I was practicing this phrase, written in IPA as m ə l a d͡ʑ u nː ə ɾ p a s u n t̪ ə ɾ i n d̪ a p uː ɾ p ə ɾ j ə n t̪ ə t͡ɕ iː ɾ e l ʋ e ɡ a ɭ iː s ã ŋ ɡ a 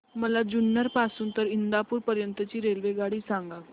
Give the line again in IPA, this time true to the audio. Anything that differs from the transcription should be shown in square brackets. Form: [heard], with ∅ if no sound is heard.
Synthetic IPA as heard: m ə l a d͡ʑ u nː ə ɾ p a s [uː] n t̪ ə ɾ i n d̪ a p uː ɾ p ə ɾ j ə n t̪ ə t͡ɕ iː ɾ e l ʋ e ɡ a [ɽ] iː s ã ŋ ɡ a